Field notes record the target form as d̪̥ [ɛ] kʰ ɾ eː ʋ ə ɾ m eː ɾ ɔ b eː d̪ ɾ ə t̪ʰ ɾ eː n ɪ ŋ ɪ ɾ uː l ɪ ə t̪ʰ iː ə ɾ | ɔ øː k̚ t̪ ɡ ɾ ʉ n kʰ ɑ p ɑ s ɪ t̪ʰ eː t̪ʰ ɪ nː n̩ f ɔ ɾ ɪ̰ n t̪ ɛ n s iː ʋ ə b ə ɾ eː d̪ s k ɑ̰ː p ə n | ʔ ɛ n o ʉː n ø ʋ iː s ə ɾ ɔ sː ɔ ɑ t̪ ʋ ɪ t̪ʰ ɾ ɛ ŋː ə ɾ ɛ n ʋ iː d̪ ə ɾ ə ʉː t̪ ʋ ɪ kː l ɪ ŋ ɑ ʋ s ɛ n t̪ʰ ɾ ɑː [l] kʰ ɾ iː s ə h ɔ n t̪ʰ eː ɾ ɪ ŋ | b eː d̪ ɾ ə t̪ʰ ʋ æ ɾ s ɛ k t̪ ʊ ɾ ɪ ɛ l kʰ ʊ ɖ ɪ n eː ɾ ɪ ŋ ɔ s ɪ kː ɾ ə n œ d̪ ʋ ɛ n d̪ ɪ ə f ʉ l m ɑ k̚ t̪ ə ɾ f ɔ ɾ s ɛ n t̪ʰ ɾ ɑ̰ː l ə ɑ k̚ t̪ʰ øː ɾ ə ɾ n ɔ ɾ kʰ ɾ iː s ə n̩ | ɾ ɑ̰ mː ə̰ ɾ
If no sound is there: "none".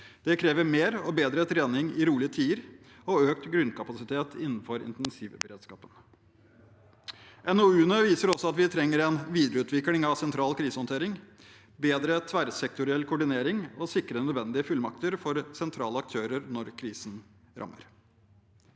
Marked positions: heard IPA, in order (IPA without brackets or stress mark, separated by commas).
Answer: ɛ, l